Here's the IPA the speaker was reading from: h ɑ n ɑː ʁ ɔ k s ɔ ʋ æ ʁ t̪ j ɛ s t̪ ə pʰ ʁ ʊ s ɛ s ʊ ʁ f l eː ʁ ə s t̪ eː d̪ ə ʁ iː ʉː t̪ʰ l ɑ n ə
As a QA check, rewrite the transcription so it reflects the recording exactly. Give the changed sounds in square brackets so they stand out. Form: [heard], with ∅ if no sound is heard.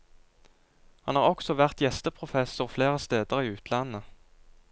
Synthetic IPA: h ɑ n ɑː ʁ ɔ k s ɔ ʋ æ ʁ t̪ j ɛ s t̪ ə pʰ ʁ ʊ [f] ɛ s ʊ ʁ f l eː ʁ ə s t̪ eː d̪ ə ʁ iː ʉː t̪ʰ l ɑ n ə